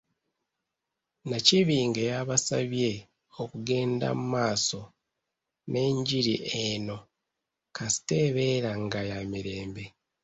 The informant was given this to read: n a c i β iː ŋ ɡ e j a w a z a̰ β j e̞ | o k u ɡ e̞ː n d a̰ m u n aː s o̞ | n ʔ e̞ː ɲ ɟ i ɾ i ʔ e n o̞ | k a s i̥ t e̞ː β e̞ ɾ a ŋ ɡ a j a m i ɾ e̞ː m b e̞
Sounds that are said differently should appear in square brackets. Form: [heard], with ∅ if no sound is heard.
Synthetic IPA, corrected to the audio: n a c i β iː ŋ ɡ e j a [β] a [s] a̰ β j e̞ | o k u ɡ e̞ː n d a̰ m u [m] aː s o̞ | n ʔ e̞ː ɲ ɟ i ɾ i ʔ e n o̞ | k a s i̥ t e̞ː β e̞ ɾ a ŋ ɡ a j a m i ɾ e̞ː m b e̞